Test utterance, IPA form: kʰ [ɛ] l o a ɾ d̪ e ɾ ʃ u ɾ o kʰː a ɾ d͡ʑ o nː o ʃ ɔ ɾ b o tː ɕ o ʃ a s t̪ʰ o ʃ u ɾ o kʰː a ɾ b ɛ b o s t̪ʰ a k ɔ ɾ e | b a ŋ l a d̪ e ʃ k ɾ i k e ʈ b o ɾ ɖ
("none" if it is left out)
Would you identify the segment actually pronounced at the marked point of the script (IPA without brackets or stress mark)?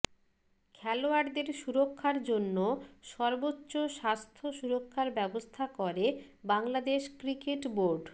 ɛ